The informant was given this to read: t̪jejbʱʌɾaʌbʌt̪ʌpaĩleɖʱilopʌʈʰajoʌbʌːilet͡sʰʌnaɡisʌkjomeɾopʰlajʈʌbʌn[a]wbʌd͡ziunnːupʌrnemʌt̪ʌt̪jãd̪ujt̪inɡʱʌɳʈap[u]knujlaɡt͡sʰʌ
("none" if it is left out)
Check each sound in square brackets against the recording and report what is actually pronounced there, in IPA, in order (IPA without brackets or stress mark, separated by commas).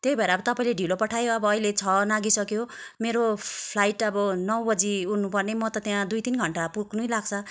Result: ʌ, u